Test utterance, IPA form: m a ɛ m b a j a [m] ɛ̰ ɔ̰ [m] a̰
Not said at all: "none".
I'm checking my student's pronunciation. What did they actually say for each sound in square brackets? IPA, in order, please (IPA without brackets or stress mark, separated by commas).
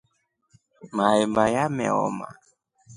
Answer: m, m